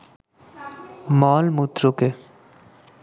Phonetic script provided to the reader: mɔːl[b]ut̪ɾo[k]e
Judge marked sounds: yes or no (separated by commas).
no, yes